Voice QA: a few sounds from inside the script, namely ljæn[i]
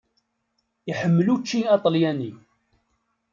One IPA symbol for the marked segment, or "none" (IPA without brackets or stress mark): i